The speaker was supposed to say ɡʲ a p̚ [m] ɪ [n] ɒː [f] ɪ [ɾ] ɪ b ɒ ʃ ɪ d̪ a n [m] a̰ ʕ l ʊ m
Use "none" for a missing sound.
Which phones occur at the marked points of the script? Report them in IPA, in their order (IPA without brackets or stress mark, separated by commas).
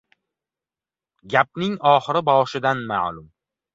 n, ŋ, χ, ɾ, m